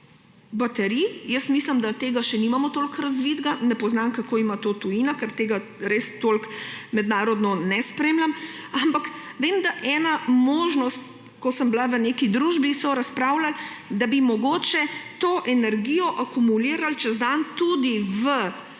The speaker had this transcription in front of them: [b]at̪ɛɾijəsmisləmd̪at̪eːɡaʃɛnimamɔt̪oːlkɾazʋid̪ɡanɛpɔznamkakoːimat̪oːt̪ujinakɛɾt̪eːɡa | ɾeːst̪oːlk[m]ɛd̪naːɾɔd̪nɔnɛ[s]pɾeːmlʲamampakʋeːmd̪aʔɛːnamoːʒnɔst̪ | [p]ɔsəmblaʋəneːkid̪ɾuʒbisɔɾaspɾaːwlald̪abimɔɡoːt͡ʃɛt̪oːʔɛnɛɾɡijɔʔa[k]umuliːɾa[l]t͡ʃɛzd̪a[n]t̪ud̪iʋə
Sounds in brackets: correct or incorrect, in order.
correct, correct, correct, incorrect: k, correct, correct, correct

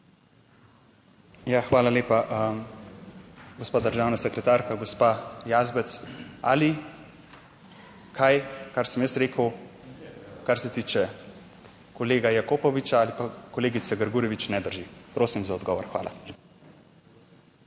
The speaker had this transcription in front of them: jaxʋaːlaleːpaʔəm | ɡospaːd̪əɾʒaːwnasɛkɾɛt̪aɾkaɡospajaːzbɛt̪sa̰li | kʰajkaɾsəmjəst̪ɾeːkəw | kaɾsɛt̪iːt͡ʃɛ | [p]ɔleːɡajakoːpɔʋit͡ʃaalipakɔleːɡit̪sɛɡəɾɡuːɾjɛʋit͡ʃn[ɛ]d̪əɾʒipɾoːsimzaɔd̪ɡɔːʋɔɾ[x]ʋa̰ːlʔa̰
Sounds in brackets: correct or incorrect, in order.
incorrect: k, correct, correct

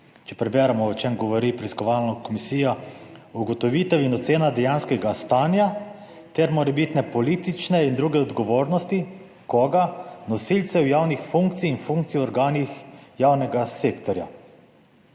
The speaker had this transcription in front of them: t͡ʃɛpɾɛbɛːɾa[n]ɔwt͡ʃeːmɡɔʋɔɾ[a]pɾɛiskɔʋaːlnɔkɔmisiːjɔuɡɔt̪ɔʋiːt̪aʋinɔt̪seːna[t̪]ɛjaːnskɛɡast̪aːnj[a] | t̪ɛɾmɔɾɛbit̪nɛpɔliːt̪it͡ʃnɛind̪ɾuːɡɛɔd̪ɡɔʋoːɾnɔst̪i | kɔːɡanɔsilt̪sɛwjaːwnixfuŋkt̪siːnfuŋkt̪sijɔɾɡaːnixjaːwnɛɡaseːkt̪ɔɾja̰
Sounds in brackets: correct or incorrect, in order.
incorrect: m, incorrect: i, incorrect: d̪, correct

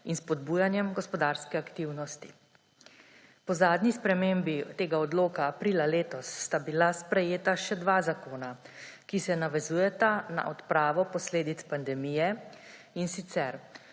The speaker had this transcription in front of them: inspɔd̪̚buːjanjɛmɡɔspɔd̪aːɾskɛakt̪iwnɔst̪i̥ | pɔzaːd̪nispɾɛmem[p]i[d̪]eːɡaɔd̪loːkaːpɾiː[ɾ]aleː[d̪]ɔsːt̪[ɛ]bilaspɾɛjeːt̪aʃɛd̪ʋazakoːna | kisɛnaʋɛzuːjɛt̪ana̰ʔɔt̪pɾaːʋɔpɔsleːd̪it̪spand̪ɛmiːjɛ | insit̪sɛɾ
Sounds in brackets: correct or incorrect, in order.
incorrect: b, incorrect: t̪, incorrect: l, incorrect: t̪, incorrect: a

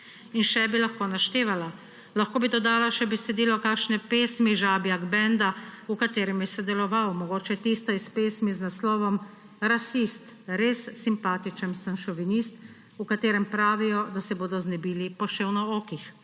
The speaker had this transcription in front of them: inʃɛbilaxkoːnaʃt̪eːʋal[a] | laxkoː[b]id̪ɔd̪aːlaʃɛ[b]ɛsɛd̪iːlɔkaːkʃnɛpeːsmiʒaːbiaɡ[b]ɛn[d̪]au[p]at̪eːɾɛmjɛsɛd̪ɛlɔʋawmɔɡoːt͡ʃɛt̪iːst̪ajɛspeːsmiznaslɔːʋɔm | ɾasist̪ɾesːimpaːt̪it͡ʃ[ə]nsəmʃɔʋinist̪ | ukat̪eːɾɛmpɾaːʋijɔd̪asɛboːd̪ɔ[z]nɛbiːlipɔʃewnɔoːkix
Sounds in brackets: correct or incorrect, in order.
correct, correct, correct, correct, correct, incorrect: k, correct, correct

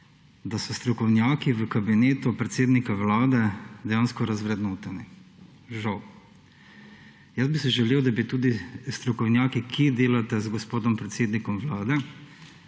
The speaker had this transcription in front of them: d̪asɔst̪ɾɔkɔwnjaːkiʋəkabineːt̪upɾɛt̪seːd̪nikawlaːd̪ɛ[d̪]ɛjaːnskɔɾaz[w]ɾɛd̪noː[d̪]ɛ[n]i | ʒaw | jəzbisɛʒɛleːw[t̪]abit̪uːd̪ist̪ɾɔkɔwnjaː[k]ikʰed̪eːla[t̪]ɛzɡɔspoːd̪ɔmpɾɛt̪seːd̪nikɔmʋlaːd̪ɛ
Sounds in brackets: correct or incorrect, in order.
correct, incorrect: ʋ, incorrect: t̪, correct, incorrect: d̪, correct, correct

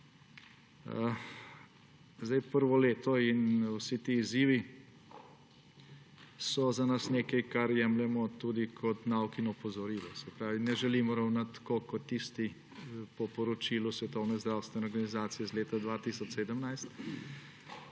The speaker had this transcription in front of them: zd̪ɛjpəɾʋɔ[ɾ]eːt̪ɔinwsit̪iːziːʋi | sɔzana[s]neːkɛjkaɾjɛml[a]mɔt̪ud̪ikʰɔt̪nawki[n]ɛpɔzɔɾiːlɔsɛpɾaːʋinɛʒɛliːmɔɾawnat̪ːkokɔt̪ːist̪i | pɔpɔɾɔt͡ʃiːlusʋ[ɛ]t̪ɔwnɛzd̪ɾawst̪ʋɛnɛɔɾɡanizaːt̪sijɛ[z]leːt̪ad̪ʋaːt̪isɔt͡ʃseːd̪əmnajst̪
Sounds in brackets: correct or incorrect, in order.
incorrect: l, correct, incorrect: ɛ, correct, correct, correct

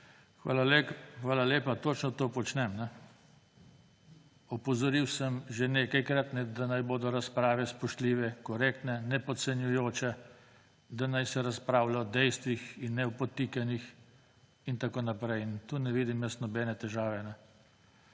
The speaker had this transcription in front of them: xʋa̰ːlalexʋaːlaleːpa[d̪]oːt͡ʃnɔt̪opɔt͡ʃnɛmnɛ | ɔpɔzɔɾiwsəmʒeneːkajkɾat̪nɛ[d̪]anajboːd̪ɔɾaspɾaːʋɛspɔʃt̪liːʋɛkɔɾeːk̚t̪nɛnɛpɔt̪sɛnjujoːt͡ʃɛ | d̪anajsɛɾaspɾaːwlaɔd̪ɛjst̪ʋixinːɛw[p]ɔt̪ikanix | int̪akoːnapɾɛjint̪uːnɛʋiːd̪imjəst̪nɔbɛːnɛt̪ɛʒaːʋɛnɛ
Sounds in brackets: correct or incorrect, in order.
incorrect: t̪, correct, correct

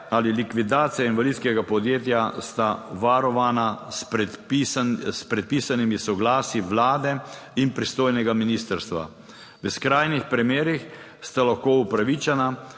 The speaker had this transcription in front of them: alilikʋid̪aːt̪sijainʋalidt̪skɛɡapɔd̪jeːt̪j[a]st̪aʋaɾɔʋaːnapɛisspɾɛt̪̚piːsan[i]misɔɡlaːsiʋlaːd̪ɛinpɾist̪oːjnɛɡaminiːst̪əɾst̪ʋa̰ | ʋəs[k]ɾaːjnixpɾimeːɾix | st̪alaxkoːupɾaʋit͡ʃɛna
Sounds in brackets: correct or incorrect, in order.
correct, correct, correct

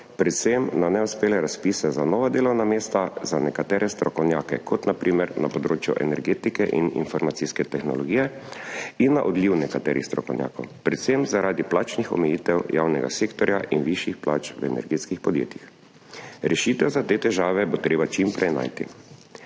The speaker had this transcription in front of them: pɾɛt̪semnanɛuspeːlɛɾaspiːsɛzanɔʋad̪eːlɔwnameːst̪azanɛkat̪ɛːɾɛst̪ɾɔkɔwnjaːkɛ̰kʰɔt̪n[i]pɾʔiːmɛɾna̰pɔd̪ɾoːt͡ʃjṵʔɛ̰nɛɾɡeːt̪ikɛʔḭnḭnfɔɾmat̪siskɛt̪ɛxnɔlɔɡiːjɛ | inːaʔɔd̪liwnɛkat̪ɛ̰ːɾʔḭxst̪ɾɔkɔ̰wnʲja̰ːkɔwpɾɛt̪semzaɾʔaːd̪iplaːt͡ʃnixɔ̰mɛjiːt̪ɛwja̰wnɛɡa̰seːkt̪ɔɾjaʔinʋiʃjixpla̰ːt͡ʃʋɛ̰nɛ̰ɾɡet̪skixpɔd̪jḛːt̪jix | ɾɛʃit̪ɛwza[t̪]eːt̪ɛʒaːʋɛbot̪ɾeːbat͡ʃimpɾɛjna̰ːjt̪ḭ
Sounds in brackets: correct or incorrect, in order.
incorrect: a, correct

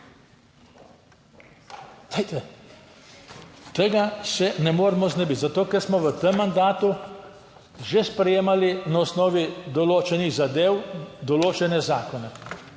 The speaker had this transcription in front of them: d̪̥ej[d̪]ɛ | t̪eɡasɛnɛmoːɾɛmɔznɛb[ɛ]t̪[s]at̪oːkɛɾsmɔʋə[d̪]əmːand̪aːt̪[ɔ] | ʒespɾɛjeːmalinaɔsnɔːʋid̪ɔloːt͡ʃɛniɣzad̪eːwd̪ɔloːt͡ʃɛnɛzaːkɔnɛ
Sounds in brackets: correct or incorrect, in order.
incorrect: t̪, incorrect: i, incorrect: z, incorrect: t̪, incorrect: u

